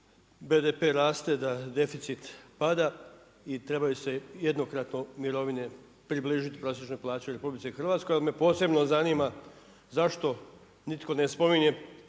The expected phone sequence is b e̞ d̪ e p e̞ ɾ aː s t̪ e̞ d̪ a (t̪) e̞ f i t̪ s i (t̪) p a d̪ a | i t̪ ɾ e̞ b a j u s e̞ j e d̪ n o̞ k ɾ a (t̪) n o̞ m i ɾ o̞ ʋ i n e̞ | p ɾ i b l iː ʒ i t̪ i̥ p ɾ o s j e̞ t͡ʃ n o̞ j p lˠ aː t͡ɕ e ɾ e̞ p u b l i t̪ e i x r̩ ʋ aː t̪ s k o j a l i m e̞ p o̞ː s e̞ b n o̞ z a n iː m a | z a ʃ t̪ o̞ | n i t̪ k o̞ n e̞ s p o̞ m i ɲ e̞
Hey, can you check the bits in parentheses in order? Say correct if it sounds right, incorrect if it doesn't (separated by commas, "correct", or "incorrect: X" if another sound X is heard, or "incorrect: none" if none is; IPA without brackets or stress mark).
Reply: incorrect: d̪, correct, correct